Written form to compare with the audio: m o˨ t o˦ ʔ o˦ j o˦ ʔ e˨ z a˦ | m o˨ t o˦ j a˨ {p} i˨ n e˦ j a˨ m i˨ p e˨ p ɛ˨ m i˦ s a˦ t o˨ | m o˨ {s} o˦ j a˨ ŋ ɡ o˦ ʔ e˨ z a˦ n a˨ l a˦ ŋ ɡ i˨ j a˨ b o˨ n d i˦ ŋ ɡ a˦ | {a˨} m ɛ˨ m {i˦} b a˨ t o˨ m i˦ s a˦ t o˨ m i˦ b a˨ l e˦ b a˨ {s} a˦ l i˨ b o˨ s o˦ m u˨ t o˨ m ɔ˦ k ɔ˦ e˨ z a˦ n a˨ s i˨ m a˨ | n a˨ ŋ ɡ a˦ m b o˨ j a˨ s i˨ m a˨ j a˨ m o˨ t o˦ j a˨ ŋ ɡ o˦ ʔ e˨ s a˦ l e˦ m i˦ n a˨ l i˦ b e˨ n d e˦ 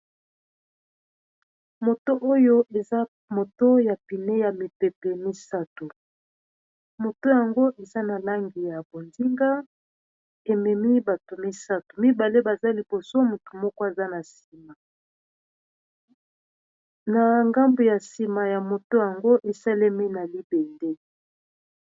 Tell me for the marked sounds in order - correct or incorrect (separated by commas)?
correct, incorrect, incorrect, correct, incorrect